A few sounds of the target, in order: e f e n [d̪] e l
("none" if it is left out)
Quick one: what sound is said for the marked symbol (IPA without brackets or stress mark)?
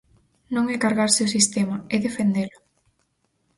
d̪